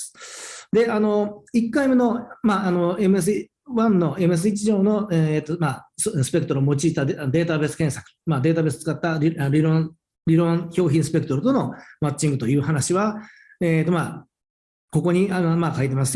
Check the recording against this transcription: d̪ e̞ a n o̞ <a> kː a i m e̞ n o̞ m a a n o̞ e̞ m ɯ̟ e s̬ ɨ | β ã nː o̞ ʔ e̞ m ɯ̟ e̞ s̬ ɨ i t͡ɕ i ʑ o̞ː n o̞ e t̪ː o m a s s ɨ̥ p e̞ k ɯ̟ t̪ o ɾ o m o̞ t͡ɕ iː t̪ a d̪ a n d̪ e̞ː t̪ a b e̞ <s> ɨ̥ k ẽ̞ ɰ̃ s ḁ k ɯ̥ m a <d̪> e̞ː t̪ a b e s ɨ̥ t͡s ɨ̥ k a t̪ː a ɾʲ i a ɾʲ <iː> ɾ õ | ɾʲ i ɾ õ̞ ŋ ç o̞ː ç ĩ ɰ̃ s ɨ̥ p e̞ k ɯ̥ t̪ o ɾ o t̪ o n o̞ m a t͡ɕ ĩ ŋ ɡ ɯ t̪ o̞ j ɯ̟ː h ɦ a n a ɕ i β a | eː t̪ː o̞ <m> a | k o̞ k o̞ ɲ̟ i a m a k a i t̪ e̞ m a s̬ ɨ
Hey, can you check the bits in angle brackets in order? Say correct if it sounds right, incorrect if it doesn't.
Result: incorrect, correct, correct, incorrect, correct

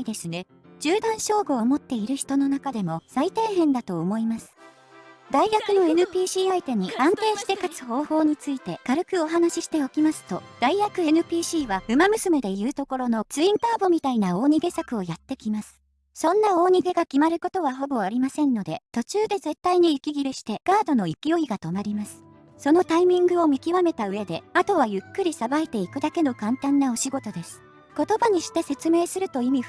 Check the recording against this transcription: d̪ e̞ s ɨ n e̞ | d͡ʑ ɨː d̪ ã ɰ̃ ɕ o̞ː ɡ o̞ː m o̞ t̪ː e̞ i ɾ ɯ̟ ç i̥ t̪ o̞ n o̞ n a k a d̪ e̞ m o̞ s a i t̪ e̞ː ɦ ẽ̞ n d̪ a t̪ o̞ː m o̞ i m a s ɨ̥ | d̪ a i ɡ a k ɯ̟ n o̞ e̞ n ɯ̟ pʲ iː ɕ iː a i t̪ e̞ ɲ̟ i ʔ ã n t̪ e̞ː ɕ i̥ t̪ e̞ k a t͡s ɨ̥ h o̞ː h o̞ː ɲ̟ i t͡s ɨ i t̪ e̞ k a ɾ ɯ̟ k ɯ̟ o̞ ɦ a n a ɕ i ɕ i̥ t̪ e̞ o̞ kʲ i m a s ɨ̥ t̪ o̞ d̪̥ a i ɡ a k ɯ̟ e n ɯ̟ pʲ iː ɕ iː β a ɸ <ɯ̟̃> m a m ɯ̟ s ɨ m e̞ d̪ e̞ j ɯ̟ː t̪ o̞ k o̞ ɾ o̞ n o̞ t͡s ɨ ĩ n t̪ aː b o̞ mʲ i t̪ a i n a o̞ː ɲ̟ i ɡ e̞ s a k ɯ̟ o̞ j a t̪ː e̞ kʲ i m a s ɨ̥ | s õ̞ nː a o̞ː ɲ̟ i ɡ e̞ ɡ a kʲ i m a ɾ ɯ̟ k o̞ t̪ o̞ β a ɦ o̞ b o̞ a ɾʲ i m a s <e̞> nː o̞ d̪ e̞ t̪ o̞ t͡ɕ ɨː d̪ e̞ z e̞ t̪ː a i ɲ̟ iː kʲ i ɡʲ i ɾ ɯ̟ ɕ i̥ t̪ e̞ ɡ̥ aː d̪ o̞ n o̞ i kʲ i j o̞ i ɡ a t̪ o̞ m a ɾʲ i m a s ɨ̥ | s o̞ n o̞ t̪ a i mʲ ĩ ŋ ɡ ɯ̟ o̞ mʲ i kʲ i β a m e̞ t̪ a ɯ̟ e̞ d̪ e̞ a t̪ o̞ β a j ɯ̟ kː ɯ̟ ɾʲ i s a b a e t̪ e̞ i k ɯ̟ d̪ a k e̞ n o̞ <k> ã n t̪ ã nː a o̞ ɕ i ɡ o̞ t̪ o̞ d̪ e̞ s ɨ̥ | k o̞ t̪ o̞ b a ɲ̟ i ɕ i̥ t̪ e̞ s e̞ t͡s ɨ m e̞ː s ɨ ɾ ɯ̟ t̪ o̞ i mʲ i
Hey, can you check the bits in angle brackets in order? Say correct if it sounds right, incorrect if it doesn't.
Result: incorrect, incorrect, correct

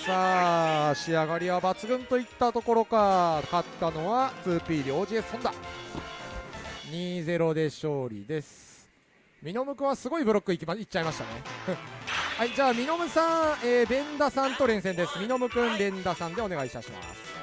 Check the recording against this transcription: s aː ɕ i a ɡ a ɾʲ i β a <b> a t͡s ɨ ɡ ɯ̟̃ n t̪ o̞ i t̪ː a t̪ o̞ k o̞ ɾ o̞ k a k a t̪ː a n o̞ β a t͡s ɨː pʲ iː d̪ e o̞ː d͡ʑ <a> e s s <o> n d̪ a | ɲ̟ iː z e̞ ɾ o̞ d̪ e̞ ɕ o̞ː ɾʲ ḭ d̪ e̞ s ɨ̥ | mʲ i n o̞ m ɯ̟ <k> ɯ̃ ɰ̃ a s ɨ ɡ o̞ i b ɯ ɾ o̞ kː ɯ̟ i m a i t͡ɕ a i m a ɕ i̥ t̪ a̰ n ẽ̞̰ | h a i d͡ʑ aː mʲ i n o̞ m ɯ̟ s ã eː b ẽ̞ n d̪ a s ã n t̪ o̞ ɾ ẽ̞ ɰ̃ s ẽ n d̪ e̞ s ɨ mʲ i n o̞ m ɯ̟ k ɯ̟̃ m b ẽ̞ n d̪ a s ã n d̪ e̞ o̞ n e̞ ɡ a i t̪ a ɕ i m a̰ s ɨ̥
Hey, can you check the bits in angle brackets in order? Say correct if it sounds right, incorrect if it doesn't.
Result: correct, incorrect, incorrect, correct

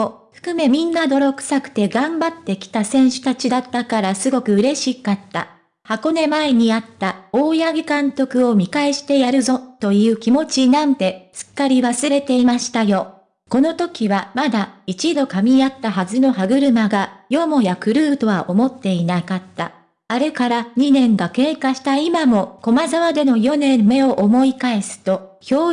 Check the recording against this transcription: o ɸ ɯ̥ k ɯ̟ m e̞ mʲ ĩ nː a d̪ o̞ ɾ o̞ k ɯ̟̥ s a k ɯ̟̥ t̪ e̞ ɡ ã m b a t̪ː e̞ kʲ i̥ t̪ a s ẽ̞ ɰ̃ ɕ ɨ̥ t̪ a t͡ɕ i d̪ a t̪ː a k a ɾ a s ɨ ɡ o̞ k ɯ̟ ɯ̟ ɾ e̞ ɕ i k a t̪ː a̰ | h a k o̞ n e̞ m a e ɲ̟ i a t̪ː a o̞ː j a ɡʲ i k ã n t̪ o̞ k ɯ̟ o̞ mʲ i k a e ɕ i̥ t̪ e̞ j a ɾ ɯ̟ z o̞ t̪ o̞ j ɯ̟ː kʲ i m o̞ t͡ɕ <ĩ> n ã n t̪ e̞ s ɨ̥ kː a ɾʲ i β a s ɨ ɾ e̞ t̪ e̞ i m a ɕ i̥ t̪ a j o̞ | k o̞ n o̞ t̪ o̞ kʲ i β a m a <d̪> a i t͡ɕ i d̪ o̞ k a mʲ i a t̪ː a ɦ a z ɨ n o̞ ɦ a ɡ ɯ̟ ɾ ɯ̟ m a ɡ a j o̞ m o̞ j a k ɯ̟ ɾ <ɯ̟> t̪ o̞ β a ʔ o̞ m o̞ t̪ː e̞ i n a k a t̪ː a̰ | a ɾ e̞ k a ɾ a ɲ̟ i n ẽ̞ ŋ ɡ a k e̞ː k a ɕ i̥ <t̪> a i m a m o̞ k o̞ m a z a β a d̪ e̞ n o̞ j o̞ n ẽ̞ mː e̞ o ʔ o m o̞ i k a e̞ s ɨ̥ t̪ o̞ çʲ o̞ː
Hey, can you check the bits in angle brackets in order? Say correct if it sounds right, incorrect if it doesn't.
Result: incorrect, correct, incorrect, correct

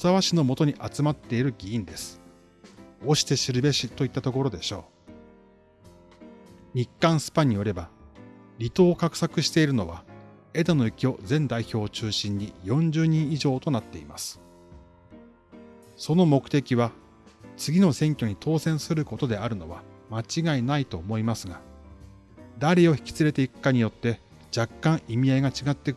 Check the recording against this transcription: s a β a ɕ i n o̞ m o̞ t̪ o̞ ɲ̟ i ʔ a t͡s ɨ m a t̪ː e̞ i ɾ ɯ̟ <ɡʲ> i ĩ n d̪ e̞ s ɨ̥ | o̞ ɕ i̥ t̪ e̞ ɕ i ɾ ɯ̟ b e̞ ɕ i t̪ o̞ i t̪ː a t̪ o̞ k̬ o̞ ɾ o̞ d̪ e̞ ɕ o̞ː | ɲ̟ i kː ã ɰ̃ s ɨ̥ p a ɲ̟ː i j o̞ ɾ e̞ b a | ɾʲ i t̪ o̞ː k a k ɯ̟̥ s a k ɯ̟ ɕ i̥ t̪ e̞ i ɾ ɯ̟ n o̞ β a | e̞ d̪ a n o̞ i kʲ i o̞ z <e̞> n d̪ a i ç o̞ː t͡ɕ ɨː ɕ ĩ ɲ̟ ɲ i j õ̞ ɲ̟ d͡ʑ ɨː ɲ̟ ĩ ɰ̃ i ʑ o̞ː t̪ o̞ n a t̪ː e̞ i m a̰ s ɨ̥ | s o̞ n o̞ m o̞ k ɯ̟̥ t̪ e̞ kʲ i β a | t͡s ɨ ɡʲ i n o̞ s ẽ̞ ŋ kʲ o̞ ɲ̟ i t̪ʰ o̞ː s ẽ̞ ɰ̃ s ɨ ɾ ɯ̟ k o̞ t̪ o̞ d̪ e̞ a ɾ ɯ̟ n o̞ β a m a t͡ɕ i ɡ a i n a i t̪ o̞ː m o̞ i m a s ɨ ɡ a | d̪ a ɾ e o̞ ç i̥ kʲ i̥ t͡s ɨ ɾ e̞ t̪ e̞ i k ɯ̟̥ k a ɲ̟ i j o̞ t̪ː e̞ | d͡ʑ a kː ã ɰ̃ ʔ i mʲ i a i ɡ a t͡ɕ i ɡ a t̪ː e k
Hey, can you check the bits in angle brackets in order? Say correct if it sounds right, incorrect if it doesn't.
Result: correct, incorrect

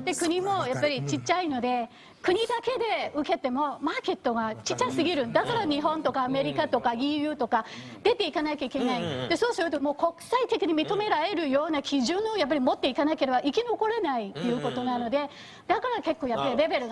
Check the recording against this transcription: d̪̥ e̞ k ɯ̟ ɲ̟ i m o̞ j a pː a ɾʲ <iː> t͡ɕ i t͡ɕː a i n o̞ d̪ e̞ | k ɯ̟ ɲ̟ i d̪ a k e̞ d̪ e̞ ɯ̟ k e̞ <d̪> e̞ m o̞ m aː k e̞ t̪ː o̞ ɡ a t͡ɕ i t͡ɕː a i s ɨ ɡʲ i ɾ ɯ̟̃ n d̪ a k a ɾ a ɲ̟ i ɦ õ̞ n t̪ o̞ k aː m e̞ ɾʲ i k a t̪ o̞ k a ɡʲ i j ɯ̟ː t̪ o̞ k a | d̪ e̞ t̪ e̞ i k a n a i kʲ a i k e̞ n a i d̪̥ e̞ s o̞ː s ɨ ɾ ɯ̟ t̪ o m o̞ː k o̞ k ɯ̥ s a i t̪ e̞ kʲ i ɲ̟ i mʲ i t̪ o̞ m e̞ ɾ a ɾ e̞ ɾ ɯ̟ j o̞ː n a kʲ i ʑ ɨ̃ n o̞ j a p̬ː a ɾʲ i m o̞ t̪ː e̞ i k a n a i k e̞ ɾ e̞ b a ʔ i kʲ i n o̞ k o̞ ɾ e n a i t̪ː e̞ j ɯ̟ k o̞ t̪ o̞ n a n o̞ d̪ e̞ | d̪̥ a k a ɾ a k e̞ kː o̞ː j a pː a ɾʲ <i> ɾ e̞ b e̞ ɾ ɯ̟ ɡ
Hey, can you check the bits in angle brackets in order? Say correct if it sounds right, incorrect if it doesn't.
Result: incorrect, incorrect, correct

